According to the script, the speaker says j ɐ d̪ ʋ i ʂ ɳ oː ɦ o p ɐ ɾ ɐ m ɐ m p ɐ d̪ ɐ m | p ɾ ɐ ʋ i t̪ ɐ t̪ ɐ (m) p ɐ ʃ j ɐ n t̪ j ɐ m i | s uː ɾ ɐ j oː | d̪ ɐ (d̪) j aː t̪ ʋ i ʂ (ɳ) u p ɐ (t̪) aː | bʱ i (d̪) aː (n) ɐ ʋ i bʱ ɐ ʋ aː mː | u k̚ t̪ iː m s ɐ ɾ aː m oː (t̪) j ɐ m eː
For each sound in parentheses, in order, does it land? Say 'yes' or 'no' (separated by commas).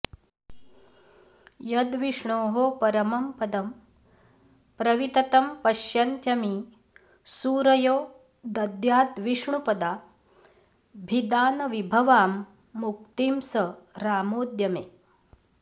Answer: yes, yes, yes, no, yes, yes, no